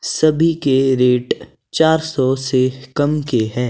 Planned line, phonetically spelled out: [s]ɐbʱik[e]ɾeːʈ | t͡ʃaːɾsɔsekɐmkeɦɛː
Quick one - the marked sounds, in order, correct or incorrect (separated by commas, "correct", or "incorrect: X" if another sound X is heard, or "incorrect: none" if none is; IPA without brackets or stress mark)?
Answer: correct, correct